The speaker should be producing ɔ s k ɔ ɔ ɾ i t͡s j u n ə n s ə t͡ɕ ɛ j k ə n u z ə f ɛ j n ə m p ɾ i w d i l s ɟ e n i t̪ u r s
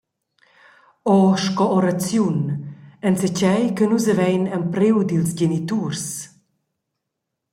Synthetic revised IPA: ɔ ʃ k ɔ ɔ ɾ a t͡s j u n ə n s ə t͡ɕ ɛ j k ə n u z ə v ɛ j n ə m p ɾ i w d i l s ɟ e n i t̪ u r s